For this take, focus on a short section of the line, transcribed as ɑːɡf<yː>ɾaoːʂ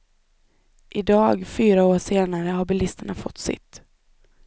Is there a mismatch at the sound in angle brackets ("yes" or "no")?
no